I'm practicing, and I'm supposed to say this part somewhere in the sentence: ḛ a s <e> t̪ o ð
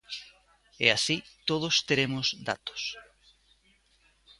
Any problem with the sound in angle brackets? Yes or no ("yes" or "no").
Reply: yes